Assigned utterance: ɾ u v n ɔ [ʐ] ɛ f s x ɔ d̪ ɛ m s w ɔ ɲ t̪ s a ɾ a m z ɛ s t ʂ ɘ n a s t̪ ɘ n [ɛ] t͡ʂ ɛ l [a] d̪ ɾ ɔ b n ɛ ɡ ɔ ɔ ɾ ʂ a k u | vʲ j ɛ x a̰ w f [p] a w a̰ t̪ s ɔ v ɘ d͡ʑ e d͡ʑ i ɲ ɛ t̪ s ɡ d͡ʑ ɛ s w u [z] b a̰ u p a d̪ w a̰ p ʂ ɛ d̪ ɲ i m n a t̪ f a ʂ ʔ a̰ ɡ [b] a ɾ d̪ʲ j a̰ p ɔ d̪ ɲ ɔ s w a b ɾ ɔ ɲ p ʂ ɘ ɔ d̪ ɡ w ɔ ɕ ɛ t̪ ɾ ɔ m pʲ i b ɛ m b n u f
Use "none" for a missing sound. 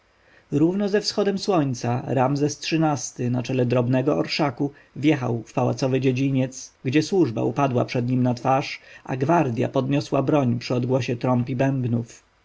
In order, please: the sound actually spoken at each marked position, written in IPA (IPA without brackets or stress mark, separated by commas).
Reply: z, a, ɛ, p, ʐ, v